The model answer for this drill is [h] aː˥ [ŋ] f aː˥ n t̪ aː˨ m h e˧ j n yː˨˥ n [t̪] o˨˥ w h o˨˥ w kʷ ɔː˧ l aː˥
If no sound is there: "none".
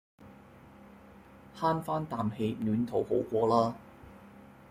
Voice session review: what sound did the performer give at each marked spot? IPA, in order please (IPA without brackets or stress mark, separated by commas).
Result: h, n, t̪ʰ